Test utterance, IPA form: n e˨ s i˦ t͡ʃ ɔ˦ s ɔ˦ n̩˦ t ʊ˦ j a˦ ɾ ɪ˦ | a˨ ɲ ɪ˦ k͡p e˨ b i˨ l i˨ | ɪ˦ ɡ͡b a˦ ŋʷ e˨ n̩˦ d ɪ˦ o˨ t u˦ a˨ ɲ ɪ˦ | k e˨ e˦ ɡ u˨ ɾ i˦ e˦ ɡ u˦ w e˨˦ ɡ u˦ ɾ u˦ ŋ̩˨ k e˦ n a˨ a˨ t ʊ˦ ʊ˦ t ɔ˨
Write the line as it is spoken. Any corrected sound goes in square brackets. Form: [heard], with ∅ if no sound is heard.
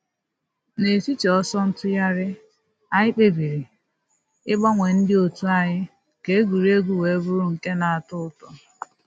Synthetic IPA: n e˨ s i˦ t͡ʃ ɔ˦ s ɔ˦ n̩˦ t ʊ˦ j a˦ ɾ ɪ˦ | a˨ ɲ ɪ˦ k͡p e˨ b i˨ [ɾ] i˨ | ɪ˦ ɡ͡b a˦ ŋʷ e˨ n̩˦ d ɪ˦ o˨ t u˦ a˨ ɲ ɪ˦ | k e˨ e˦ ɡ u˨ ɾ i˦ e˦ ɡ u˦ w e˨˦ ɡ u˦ ɾ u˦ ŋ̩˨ k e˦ n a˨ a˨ t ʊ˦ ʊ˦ t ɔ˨